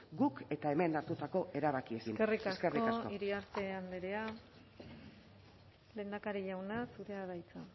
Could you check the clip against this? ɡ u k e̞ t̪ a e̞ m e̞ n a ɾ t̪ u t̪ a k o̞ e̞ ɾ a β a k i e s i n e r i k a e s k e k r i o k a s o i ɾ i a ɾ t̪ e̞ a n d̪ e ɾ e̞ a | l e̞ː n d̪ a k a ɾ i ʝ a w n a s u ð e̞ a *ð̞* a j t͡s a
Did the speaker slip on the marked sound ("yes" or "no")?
no